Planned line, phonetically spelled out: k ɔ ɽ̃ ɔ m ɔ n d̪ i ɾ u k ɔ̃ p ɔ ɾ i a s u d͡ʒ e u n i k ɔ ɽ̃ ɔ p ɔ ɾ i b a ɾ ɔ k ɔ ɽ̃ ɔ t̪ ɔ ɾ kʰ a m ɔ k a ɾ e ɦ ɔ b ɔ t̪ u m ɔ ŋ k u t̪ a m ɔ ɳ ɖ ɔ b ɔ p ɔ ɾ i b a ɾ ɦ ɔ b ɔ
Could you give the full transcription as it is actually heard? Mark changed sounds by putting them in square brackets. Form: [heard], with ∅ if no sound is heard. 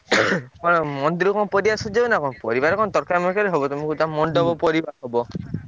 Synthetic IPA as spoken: k ɔ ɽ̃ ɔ m ɔ n d̪ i ɾ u k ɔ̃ p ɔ ɾ i a s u d͡ʒ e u n [a] k ɔ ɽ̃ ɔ p ɔ ɾ i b a ɾ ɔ k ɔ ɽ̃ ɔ t̪ ɔ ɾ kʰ a m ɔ k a ɾ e ɦ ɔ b ɔ t̪ u m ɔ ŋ k u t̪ a m ɔ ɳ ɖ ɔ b ɔ p ɔ ɾ i b a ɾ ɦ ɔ b ɔ